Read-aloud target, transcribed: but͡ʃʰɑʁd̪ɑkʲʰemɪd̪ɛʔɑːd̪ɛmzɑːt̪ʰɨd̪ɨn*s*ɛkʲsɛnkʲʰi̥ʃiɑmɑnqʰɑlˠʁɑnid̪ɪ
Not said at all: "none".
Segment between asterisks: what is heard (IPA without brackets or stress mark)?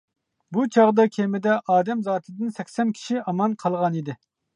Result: s